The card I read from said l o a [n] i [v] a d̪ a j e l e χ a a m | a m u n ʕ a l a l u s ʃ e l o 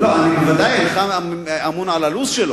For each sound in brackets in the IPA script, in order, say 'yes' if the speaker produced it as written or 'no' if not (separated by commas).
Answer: yes, yes